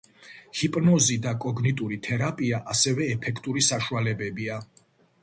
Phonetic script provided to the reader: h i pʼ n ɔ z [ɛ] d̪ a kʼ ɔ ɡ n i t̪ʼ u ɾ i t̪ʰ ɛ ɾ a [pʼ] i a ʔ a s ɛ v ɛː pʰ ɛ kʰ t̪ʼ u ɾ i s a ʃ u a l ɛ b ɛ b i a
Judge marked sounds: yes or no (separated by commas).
no, yes